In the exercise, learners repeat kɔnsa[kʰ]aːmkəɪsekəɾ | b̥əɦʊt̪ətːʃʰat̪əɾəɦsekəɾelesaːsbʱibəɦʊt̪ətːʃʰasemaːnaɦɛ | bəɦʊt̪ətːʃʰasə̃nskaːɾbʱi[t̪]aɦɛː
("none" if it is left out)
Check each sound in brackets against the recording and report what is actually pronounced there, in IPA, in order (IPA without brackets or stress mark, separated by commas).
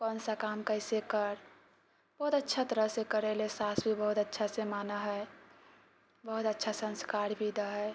k, d̪